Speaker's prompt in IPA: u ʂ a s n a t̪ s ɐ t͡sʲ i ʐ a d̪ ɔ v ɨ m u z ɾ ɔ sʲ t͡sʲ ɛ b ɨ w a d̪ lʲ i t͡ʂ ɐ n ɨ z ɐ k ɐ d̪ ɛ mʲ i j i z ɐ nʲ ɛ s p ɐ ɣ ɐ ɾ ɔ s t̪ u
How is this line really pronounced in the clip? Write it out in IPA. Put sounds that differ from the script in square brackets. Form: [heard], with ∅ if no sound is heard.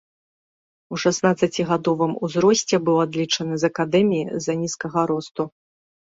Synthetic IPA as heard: u ʂ a s n a t̪ s ɐ t͡sʲ i [ɣ] a d̪ ɔ v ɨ m u z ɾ ɔ sʲ t͡sʲ ɛ b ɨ w a d̪ lʲ i t͡ʂ ɐ n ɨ z ɐ k [a] d̪ ɛ mʲ i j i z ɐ nʲ [i] s [k] ɐ ɣ ɐ ɾ ɔ s t̪ u